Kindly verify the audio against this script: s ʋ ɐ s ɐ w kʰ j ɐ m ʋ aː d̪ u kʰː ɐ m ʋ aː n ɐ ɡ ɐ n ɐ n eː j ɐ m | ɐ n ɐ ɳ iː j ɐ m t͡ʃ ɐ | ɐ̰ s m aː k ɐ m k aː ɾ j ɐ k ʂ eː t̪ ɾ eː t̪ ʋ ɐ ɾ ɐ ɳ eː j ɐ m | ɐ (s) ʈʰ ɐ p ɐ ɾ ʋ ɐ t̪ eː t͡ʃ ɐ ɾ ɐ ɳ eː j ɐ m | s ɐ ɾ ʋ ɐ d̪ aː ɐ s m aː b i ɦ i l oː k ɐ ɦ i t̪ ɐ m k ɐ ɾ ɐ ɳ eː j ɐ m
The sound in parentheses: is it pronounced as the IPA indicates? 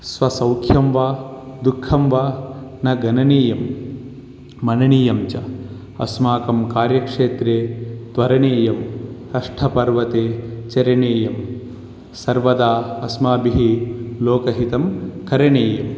no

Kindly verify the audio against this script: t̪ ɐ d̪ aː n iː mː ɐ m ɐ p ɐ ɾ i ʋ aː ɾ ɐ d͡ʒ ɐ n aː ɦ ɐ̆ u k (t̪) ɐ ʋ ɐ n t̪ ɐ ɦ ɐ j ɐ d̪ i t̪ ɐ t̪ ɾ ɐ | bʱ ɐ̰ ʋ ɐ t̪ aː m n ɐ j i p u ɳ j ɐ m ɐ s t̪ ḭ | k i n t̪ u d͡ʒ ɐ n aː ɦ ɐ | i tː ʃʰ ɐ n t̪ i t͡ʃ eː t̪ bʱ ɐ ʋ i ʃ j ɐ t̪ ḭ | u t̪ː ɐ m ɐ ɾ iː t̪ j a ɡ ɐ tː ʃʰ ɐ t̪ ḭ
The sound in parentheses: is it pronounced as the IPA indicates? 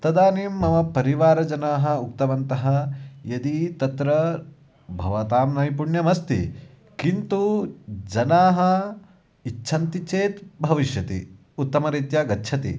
yes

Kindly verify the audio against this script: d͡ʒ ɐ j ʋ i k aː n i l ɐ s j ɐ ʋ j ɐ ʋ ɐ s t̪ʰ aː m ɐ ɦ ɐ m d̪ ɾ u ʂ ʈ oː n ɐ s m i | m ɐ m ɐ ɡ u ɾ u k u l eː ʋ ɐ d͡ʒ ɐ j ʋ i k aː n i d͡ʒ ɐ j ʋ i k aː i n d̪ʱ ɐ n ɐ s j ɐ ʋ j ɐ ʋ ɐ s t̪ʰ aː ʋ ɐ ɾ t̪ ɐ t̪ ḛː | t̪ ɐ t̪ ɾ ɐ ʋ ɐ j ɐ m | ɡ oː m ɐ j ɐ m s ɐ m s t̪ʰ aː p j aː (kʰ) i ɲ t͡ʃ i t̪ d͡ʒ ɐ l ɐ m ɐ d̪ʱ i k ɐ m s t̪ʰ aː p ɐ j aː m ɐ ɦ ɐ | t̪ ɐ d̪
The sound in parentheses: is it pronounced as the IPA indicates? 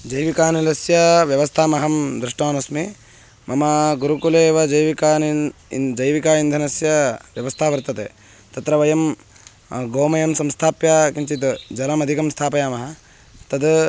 no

